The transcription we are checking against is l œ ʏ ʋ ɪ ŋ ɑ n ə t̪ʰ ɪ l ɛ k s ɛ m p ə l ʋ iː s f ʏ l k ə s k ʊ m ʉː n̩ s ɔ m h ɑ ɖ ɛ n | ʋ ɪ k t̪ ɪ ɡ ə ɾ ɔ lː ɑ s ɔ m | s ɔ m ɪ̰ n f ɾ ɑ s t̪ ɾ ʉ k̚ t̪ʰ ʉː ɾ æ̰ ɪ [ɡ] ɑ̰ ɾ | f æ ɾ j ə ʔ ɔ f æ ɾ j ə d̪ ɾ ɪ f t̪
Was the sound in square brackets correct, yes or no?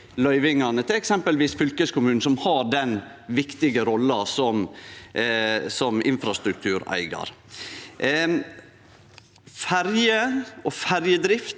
yes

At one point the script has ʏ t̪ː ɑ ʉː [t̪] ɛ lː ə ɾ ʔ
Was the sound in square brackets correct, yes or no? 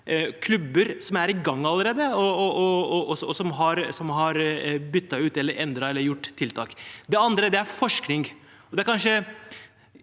yes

